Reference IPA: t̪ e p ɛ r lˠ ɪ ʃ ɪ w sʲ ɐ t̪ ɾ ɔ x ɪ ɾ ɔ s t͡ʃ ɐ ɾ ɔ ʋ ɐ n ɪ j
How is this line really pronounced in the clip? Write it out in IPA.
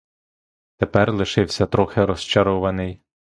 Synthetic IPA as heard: t̪ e p ɛ r lˠ ɪ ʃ ɪ w sʲ ɐ t̪ ɾ ɔ x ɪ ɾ ɔ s t͡ʃ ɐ ɾ ɔ ʋ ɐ n ɪ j